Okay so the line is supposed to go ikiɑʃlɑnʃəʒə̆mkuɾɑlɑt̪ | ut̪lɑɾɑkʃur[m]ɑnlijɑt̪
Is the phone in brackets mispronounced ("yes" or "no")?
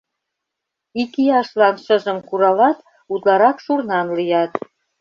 yes